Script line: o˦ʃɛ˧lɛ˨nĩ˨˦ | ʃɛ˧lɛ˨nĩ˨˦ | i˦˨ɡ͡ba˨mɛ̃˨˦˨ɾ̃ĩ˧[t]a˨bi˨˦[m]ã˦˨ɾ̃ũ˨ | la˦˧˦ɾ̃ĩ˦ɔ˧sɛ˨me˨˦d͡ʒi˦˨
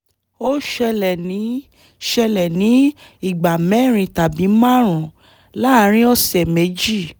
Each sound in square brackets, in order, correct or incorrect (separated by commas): correct, correct